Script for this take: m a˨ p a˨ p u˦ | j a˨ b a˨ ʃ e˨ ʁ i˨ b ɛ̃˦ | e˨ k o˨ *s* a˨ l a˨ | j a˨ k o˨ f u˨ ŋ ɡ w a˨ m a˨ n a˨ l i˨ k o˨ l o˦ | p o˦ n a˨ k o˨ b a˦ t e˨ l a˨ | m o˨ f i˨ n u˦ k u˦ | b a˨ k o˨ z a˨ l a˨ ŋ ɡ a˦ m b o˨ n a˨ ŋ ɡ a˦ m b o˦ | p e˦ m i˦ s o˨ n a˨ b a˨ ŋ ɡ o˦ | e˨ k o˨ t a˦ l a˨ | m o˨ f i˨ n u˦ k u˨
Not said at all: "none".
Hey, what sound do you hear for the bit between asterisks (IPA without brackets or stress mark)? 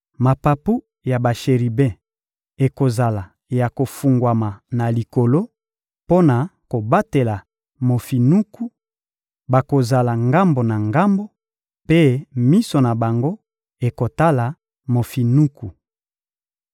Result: z